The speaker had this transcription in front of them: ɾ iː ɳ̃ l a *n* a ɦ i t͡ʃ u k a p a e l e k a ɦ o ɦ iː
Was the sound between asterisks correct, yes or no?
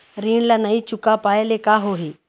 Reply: yes